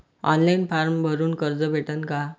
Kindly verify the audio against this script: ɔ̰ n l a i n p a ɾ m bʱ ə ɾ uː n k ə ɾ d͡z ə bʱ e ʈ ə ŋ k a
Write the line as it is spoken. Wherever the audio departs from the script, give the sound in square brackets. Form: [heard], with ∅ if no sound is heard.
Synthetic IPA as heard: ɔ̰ n l a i n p a ɾ m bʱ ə ɾ uː n k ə ɾ d͡z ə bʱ e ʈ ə [n] k a

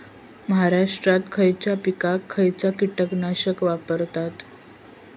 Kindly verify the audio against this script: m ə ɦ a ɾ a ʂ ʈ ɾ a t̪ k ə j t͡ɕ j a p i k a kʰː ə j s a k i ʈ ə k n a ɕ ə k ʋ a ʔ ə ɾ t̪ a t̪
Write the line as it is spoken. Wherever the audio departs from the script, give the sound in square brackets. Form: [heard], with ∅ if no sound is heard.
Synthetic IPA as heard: m ə ɦ a ɾ a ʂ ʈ ɾ a t̪ [kʰ] ə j t͡ɕ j a p i k a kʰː ə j [t͡s] a k i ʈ ə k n a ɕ ə k ʋ a [p] ə ɾ t̪ a t̪

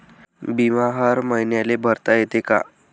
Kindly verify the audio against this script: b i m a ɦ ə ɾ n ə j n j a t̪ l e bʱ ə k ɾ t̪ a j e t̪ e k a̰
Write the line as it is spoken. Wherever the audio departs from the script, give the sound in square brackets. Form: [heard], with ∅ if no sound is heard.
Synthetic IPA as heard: b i m a ɦ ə ɾ [m] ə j n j a [∅] l e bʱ ə [∅] ɾ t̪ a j e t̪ e k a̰

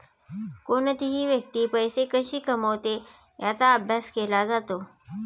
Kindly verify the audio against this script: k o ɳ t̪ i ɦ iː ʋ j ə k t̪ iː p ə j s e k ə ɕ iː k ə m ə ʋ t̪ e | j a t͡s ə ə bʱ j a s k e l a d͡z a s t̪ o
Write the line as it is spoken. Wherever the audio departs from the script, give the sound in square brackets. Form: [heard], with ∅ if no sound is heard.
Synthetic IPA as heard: k o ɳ t̪ i ɦ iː ʋ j ə k t̪ iː p ə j s e k ə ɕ iː k ə m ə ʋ t̪ e | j a t͡s [a] ə bʱ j a s k e l a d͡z a [∅] t̪ o

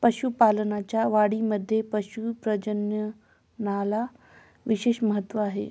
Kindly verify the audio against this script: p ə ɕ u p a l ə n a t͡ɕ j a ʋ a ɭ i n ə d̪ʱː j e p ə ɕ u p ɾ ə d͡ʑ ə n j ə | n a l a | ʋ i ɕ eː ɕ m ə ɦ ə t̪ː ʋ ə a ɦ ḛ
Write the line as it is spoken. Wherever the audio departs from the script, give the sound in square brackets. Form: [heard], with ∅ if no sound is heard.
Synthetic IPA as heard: p ə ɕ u p a l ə n a t͡ɕ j a ʋ a [ɽ] i [m] ə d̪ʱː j e p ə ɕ u p ɾ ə d͡ʑ ə n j ə | n a l a | ʋ i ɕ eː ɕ m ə ɦ ə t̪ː ʋ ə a ɦ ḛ

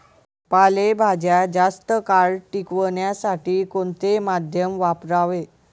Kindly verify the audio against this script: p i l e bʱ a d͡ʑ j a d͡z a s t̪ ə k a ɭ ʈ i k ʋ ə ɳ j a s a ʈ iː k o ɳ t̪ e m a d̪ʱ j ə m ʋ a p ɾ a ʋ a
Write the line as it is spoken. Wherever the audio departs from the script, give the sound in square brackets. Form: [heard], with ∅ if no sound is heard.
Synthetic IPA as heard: p [a] l e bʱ a d͡ʑ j a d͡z a s t̪ ə k a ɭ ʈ i k ʋ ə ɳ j a s a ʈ iː k o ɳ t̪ e m a d̪ʱ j ə m ʋ a p ɾ a ʋ [e]

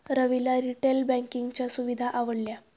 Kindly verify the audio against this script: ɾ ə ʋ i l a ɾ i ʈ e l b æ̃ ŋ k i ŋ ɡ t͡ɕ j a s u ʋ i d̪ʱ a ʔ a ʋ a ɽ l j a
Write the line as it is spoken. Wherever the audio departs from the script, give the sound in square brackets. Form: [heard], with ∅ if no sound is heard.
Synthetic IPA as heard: ɾ ə ʋ i l a ɾ i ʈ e l b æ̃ ŋ k i ŋ ɡ t͡ɕ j a s u ʋ i d̪ʱ a ʔ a ʋ [ə] ɽ l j a

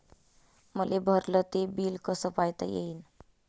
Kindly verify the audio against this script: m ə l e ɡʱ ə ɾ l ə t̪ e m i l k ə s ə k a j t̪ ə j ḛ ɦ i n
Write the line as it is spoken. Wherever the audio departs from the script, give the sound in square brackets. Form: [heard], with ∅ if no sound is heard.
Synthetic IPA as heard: m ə l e [bʱ] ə ɾ l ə t̪ e [b] i l k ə s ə [p] a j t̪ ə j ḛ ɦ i n

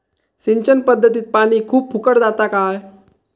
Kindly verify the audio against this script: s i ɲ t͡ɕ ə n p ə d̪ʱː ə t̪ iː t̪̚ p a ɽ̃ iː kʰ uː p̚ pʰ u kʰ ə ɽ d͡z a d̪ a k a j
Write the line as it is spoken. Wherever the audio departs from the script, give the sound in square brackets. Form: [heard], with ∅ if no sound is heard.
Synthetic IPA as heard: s i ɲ t͡ɕ ə n p ə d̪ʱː ə t̪ iː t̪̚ p a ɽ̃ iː kʰ uː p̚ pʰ u [k] ə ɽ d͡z a [t̪] a k a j

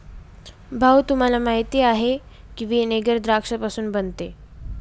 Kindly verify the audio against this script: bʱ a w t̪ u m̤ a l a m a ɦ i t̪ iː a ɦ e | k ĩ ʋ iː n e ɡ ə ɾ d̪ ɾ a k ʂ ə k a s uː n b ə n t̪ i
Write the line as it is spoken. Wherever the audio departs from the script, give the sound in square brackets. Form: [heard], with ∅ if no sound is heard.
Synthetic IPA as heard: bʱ a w t̪ u m̤ a l a m a ɦ i t̪ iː a ɦ e | k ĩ ʋ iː n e ɡ ə ɾ d̪ ɾ a k ʂ ə [p] a s uː n b ə n t̪ [e]

